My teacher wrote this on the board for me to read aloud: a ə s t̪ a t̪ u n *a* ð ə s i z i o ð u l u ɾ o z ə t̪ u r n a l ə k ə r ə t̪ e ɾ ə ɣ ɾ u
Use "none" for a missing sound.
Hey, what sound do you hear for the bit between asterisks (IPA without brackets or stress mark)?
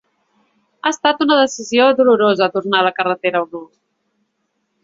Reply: ə